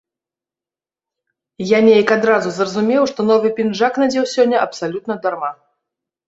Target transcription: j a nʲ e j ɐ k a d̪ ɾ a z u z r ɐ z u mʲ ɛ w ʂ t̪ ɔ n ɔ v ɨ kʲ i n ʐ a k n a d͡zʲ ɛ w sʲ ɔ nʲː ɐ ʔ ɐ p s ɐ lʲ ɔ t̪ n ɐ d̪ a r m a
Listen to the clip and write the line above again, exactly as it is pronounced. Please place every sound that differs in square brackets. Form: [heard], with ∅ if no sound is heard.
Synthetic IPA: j a nʲ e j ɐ k a d̪ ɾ a z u z r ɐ z u mʲ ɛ w ʂ t̪ ɔ n ɔ v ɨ [pʲ] i n ʐ a k n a d͡zʲ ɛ w sʲ ɔ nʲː ɐ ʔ ɐ p s [a] lʲ [u] t̪ n ɐ d̪ a r m a